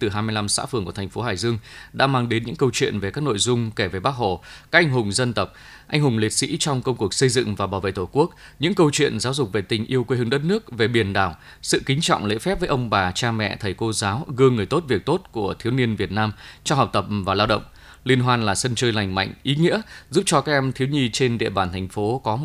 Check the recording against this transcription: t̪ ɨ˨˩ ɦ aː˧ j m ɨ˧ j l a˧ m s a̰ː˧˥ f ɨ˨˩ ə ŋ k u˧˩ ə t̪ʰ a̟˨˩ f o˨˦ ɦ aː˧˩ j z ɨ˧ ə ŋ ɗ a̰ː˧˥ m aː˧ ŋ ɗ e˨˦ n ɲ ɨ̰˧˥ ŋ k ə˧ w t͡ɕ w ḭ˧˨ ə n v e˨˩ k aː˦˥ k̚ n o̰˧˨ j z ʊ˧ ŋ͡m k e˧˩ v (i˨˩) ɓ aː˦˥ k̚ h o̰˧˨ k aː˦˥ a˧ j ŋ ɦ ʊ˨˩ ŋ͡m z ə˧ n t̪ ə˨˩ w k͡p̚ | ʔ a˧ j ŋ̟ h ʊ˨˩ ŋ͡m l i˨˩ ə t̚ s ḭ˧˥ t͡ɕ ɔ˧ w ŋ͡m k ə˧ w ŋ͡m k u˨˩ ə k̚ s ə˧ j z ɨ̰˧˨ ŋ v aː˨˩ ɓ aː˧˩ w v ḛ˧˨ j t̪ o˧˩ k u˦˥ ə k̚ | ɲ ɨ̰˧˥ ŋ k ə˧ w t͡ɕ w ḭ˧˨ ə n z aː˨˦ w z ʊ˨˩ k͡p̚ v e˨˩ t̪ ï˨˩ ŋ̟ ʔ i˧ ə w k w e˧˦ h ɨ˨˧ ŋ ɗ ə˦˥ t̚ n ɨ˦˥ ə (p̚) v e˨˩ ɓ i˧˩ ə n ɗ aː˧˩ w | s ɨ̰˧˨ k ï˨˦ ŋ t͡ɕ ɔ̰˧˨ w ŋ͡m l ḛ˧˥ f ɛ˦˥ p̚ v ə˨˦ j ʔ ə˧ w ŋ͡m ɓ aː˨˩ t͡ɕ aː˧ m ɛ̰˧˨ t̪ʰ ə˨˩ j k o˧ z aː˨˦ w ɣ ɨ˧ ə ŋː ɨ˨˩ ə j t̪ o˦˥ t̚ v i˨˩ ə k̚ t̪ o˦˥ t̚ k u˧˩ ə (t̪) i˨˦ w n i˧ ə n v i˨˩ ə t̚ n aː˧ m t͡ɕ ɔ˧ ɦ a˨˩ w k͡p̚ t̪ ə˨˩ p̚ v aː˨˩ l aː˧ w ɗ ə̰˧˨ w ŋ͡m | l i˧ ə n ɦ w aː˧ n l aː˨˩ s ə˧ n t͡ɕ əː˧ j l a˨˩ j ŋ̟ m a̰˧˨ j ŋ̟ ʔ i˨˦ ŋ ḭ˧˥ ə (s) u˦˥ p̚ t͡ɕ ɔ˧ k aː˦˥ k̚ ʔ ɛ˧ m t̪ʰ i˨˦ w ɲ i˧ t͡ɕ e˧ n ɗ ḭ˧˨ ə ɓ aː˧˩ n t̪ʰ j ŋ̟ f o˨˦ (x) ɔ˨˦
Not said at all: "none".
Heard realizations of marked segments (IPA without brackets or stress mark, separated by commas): e˨˩, k̚, t̪ʰ, z, k